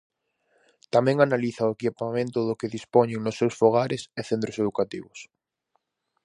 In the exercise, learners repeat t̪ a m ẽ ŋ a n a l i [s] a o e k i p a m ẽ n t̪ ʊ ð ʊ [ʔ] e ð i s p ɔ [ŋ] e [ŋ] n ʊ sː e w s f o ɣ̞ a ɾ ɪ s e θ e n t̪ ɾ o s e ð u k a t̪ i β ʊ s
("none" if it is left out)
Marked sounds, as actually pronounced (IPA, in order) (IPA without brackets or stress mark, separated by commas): θ, k, ɲ, ŋ